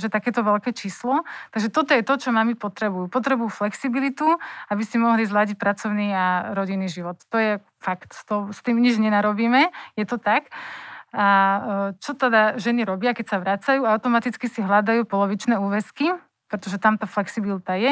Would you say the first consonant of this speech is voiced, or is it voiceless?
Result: voiced